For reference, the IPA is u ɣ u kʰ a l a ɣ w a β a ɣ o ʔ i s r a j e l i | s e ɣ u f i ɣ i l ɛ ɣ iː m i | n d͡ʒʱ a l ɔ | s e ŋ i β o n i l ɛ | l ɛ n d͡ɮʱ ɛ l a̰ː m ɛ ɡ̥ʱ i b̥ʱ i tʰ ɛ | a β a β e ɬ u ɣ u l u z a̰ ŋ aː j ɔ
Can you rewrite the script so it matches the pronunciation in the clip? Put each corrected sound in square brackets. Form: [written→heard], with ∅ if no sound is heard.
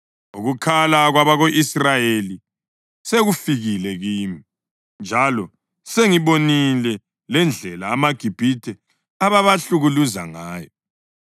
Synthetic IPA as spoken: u ɣ u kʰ a l a ɣ w a β a ɣ o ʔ i s r a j e l i | s e ɣ u f i ɣ i l ɛ ɣ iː m i | n d͡ʒʱ a l ɔ | s e ŋ i β o n i l ɛ | l ɛ n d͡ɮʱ ɛ l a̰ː m [ɛ→a] ɡ̥ʱ i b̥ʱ i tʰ ɛ | a β a β [e→a] ɬ u ɣ u l u z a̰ ŋ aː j ɔ